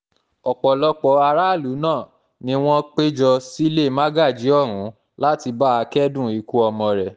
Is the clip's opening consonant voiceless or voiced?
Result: voiceless